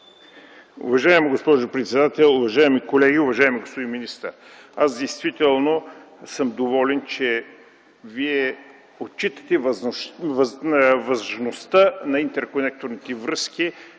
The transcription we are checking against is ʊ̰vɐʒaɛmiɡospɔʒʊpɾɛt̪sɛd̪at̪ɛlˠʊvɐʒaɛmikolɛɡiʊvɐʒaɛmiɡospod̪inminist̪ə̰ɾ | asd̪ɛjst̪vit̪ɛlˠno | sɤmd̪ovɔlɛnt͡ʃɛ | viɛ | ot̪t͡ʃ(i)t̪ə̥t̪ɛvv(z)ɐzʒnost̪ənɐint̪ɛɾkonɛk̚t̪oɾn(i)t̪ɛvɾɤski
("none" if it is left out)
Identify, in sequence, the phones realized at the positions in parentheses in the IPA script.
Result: i, v, i

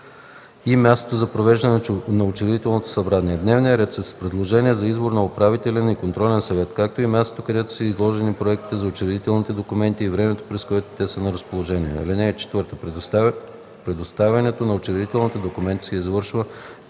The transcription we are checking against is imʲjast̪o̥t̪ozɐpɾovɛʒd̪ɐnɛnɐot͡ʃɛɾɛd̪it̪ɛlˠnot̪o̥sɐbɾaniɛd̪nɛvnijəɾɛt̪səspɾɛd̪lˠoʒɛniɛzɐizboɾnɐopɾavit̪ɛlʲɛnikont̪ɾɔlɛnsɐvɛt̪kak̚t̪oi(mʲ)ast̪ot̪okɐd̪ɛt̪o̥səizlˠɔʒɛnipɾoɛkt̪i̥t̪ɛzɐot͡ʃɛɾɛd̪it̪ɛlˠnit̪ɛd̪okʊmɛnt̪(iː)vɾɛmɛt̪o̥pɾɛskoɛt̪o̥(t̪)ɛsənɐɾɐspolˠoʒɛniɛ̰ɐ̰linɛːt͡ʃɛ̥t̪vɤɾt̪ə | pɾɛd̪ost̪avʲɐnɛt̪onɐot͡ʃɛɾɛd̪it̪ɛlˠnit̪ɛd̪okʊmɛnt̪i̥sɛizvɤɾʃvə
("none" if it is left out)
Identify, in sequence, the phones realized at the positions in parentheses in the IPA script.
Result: mʲ, iː, t̪

